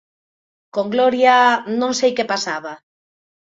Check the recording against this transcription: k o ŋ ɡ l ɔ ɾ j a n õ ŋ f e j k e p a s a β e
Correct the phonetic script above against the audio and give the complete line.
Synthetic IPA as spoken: k o ŋ ɡ l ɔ ɾ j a n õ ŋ s e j k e p a s a β a